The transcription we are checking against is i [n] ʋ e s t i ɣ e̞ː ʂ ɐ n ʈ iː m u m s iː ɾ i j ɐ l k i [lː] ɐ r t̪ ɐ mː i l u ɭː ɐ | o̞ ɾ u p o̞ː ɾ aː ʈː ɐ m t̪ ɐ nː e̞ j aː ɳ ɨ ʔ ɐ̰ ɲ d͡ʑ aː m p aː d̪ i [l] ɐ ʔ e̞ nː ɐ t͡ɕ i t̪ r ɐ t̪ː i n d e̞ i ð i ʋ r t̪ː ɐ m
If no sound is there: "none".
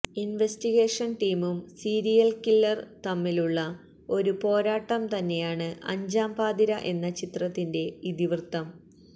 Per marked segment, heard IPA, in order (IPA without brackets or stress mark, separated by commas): n, lː, ɾ